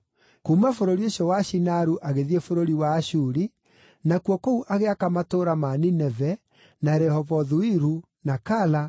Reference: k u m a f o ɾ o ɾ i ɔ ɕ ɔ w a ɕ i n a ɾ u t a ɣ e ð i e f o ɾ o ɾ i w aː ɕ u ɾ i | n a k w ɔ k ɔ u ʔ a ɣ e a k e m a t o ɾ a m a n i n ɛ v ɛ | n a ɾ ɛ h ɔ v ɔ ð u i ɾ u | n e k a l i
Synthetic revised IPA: k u m a f o ɾ o ɾ i o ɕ ɔ w a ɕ i n a ɾ u ʔ a ɣ e ð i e f o ɾ o ɾ i w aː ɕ u ɾ i | n a k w ɔ k o u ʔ a ɣ e a k a m a t o ɾ a m a n i n ɛ v ɛ | n a ɾ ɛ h ɔ v ɔ ð u i ɾ u | n a k a l a